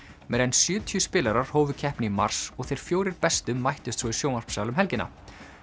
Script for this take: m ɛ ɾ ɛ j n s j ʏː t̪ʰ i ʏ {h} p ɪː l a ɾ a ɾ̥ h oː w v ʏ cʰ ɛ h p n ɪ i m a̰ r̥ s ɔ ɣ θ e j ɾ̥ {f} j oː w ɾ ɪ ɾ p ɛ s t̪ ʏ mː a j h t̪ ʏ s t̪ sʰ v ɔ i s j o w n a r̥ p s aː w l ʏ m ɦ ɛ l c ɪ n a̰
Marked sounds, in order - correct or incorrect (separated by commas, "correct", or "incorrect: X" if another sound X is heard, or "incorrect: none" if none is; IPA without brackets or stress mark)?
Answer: incorrect: s, correct